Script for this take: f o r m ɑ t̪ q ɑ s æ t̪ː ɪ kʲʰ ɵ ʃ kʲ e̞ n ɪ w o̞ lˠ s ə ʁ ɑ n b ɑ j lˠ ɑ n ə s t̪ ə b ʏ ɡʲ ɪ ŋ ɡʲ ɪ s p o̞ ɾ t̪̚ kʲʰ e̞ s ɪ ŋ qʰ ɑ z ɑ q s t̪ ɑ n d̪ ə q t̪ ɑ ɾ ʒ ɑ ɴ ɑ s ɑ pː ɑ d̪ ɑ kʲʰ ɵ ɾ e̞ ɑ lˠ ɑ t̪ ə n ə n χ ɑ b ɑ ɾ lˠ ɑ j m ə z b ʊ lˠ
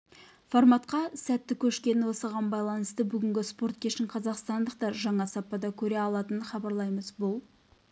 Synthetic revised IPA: f o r m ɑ t̪ q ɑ s æ t̪ː ɪ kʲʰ ɵ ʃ kʲ e̞ n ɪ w o̞ s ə ʁ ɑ n b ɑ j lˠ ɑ n ə s t̪ ə b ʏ ɡʲ ɪ ŋ ɡʲ ɪ s p o̞ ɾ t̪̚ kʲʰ e̞ ʃ ɪ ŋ qʰ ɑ z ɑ q s t̪ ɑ n d̪ ə q t̪ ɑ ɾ ʒ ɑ ɴ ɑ s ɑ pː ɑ d̪ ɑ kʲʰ ɵ ɾ e̞ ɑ lˠ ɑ t̪ ə n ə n χ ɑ b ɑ ɾ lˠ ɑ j m ə z b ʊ lˠ